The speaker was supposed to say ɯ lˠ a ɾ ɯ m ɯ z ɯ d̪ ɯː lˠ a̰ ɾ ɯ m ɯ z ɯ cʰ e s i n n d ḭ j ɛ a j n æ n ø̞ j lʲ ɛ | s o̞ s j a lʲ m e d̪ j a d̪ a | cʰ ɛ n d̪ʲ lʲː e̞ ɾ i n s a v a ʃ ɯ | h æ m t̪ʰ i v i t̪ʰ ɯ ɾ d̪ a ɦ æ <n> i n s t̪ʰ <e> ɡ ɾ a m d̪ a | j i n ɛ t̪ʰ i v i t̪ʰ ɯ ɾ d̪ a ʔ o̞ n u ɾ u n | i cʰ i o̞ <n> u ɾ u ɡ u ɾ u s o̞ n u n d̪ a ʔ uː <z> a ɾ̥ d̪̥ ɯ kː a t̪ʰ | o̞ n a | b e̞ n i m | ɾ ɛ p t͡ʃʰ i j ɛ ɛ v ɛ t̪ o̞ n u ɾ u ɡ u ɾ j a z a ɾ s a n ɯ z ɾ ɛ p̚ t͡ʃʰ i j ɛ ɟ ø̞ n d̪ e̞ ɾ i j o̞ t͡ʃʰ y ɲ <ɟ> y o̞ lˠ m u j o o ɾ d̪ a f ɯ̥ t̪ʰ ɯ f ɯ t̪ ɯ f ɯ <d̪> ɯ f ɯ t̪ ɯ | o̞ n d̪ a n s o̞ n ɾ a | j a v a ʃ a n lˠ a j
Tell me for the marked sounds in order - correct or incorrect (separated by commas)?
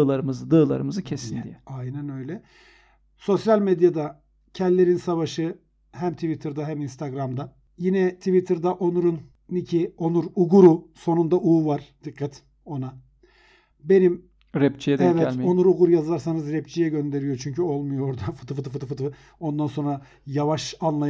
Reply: incorrect, incorrect, correct, incorrect, incorrect, incorrect